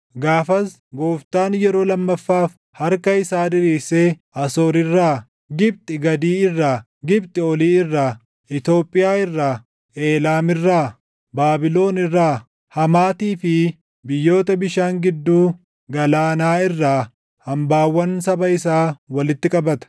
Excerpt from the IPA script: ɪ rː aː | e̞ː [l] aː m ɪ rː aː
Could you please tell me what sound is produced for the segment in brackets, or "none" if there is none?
l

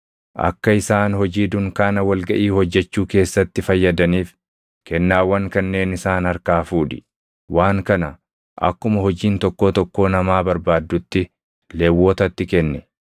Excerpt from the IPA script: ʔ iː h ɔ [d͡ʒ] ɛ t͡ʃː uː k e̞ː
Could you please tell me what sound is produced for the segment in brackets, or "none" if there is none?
d͡ʒː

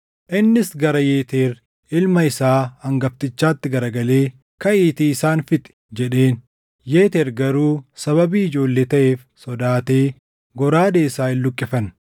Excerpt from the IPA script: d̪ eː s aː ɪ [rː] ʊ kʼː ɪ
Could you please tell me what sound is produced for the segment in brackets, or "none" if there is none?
lː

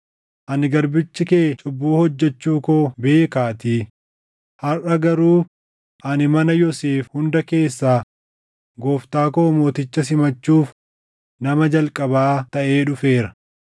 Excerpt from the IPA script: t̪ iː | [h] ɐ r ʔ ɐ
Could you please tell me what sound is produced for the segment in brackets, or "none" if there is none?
h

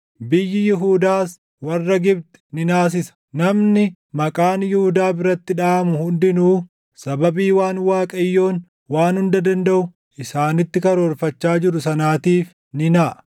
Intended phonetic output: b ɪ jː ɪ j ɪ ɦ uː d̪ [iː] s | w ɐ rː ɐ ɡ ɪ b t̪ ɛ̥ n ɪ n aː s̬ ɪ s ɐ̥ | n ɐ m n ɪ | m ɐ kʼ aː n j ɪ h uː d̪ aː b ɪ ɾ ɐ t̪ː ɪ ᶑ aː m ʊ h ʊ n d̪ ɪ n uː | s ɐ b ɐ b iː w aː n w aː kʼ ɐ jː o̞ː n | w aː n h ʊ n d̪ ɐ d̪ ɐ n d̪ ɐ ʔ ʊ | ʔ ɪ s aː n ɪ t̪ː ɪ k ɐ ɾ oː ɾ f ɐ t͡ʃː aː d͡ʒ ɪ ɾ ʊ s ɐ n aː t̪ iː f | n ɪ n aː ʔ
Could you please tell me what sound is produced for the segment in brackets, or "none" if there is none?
aː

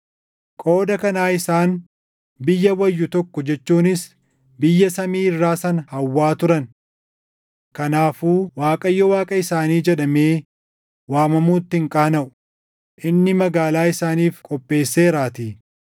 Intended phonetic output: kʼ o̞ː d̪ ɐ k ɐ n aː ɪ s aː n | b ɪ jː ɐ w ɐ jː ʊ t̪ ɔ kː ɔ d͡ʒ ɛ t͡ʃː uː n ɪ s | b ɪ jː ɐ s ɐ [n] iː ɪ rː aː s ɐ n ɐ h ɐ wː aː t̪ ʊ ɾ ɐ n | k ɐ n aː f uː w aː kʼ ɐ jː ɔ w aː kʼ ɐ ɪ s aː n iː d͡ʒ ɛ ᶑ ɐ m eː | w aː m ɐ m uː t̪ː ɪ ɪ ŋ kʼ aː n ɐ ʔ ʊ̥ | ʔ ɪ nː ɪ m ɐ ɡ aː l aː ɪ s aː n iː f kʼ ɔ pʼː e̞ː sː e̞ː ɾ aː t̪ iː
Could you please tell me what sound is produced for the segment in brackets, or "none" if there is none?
m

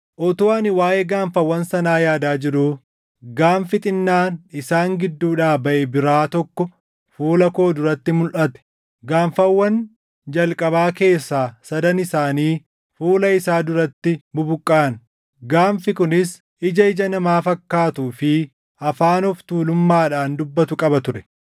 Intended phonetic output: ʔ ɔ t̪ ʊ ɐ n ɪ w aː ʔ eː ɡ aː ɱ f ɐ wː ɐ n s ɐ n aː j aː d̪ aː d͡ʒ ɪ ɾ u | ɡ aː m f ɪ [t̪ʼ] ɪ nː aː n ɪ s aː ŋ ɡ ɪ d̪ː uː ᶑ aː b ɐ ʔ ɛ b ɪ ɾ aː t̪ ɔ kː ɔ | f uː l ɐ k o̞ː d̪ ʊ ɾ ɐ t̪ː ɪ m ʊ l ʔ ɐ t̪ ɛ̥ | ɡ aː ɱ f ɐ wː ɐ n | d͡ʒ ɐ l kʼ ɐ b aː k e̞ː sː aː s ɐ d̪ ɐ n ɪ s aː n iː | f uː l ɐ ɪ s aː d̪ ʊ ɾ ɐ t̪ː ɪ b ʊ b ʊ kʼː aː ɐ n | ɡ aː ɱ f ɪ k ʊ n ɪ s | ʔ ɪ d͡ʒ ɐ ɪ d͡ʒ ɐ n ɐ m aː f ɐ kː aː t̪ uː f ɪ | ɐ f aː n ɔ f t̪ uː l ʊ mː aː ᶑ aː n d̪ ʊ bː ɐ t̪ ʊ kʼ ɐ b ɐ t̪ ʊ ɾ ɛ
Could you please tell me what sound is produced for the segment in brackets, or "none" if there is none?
t̪ʼ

